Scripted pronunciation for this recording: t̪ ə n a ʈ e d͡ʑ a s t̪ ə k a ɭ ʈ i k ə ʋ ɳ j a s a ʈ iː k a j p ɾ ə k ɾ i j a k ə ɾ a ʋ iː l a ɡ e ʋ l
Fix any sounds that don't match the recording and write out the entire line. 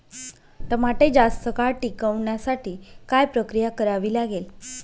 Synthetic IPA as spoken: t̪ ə m a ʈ e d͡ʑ a s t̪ ə k a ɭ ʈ i k ə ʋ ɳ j a s a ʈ iː k a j p ɾ ə k ɾ i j a k ə ɾ a ʋ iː l a ɡ e l